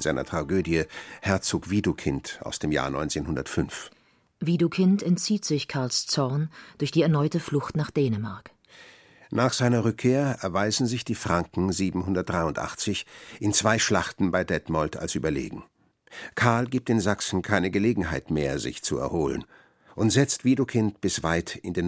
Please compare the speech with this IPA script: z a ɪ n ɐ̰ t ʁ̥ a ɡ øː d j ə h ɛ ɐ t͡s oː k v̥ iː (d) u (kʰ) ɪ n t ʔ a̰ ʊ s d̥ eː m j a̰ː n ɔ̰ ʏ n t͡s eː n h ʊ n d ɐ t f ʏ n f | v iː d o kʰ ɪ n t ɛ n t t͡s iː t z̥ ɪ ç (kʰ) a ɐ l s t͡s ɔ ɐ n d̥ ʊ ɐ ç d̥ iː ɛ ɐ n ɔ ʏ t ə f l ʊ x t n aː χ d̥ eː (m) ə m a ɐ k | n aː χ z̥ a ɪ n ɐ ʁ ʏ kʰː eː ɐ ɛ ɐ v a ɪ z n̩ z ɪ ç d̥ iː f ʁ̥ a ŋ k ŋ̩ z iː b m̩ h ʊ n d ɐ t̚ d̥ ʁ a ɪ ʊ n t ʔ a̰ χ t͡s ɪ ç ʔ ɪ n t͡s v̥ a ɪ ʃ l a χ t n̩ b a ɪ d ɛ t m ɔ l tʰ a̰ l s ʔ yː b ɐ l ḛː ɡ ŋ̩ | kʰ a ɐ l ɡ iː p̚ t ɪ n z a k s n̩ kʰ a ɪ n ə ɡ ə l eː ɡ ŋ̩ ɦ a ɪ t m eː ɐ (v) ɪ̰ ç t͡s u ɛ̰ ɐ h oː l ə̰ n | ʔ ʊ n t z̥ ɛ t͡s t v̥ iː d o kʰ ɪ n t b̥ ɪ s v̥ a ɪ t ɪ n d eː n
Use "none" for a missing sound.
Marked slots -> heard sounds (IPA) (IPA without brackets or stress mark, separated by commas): d, kʰ, kʰ, n, z